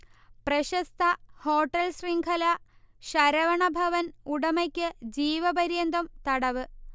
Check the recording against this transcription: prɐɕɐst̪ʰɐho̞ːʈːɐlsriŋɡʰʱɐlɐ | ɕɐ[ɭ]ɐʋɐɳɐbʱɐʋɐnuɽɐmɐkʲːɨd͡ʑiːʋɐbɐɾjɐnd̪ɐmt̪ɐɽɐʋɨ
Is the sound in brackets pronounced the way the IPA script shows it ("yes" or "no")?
no